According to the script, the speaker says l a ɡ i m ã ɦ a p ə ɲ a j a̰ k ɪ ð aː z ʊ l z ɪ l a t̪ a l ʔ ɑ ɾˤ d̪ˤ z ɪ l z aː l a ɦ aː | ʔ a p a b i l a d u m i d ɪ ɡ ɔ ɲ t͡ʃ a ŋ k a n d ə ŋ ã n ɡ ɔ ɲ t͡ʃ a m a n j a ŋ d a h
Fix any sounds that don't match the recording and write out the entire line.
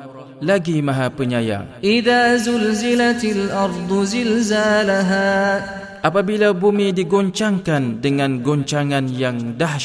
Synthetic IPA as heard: l a ɡ i m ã ɦ a p ə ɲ a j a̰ ʔ ɪ ð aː z ʊ l z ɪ l a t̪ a l ʔ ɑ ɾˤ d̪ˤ z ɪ l z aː l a ɦ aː | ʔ a p a b i l a b u m i d i ɡ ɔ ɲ t͡ʃ a ŋ k a n d ə ŋ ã n ɡ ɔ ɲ t͡ʃ a ŋ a n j a ŋ d a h